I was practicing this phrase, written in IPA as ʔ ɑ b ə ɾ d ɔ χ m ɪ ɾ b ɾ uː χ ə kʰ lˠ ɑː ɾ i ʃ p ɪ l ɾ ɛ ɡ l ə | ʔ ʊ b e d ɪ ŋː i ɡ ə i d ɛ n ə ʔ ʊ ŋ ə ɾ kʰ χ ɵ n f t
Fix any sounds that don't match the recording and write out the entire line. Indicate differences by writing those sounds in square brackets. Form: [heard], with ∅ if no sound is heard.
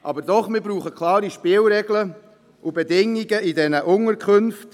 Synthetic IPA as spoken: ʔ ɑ b ə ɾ d ɔ χ m ɪ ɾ b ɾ uː χ ə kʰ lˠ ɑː ɾ i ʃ p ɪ l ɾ ɛ ɡ l ə | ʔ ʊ b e d ɪ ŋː i ɡ ə i d ɛ n ə ʔ ʊ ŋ ə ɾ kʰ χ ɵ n f t